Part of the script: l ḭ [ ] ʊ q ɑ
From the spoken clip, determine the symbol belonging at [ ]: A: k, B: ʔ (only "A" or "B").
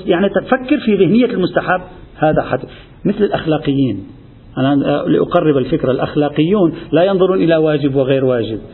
B